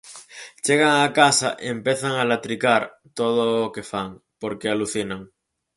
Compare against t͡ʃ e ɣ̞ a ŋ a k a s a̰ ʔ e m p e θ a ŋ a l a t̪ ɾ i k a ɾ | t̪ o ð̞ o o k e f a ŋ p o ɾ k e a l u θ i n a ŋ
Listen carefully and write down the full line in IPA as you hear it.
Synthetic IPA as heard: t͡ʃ e ɣ̞ a ŋ a k a s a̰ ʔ e m p e θ a ŋ a l a t̪ ɾ i k a ɾ | t̪ o ð̞ o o k e f a ŋ p o ɾ k e a l u θ i n a ŋ